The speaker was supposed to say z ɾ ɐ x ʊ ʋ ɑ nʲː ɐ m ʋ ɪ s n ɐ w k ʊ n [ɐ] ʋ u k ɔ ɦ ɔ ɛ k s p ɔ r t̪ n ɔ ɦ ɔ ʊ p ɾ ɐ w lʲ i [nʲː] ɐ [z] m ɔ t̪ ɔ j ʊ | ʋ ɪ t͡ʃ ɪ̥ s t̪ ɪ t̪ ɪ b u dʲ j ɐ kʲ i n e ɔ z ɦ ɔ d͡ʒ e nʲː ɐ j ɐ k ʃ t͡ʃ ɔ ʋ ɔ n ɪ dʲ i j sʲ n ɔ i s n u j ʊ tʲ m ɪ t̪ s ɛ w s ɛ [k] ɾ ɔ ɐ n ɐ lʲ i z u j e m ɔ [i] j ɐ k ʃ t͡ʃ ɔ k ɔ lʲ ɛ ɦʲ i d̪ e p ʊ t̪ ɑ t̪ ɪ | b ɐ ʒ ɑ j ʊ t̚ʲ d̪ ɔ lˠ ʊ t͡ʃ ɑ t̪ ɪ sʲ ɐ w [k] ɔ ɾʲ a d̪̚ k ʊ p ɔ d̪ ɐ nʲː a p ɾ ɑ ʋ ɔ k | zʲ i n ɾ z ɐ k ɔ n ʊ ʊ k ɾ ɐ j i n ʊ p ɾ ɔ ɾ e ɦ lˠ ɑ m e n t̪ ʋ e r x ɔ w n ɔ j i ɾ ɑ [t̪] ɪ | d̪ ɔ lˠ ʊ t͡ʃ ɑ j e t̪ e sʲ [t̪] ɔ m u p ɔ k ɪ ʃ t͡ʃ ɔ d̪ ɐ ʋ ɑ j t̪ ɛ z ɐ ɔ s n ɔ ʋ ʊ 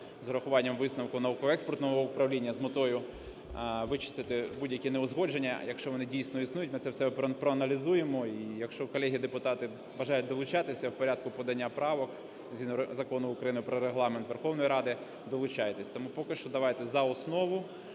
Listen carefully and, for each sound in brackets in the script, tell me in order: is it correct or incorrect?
correct, correct, correct, incorrect: p, correct, incorrect: p, incorrect: d̪, correct

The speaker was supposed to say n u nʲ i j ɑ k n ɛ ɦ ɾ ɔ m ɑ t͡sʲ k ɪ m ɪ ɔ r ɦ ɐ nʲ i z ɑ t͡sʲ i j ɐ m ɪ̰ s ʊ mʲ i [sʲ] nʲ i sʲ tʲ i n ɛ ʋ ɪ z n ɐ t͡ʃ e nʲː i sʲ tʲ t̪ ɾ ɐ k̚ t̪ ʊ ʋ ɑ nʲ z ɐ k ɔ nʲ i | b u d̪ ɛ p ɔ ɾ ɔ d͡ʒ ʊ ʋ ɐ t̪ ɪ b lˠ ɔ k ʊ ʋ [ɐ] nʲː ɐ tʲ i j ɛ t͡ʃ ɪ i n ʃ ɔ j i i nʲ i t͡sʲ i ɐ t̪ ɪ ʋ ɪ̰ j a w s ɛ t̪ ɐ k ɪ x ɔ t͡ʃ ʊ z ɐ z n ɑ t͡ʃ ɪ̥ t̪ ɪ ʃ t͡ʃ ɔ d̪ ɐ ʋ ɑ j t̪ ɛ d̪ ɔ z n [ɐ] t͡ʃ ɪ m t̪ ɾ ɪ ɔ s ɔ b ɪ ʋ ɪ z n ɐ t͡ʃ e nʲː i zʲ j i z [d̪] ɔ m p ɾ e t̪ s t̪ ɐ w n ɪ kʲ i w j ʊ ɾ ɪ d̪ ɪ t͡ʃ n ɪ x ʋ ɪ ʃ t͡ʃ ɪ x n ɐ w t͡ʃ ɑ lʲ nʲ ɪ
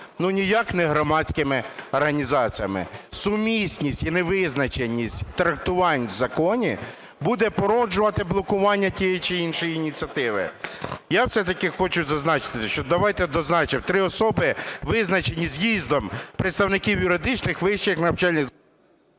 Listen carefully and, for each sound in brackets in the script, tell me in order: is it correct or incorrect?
correct, incorrect: ɑ, incorrect: ɑ, correct

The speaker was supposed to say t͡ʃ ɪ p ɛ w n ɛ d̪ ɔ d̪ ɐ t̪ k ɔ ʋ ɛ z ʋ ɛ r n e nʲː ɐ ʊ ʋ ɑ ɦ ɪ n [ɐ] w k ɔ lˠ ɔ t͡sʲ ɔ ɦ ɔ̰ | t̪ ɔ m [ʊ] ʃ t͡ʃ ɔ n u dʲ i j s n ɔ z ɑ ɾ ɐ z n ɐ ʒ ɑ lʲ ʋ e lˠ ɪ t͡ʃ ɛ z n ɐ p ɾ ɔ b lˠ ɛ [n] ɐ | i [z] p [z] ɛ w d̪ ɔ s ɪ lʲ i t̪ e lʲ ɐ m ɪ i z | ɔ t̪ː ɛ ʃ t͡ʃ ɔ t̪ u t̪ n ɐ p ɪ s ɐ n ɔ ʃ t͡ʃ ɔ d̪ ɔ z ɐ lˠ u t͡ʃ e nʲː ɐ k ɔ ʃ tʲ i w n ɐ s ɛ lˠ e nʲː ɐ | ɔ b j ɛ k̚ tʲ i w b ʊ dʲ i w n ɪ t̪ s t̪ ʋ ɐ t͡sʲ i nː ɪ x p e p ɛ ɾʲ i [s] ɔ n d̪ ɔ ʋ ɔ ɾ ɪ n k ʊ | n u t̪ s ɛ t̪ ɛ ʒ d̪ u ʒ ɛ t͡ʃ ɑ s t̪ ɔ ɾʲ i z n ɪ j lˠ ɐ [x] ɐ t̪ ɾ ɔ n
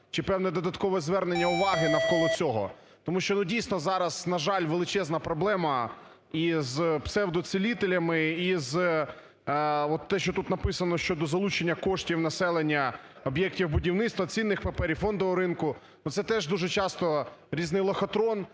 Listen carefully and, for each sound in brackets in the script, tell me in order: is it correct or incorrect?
correct, incorrect: u, incorrect: m, correct, incorrect: s, incorrect: f, correct

